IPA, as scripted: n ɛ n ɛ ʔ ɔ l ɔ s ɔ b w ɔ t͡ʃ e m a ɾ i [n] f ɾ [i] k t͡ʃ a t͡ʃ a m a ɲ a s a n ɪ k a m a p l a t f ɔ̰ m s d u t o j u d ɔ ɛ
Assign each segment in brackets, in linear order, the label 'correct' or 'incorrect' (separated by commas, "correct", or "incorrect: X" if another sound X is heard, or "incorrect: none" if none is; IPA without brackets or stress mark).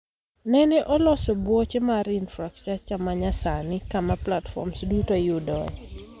correct, incorrect: a